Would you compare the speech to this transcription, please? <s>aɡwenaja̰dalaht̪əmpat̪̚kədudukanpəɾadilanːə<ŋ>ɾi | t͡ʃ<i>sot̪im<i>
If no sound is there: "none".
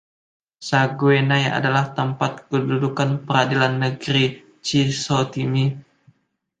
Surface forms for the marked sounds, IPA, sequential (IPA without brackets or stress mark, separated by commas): s, ɡ, i, i